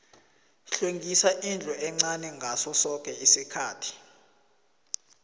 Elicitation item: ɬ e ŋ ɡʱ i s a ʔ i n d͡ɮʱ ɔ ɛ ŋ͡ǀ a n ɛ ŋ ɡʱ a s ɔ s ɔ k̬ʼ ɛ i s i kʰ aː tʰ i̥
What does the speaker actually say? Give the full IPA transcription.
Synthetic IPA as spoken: ɬ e ŋ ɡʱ i s a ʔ i n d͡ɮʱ ɔ ɛ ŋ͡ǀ a n ɛ ŋ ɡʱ a s ɔ s ɔ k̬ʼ ɛ i s i kʰ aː tʰ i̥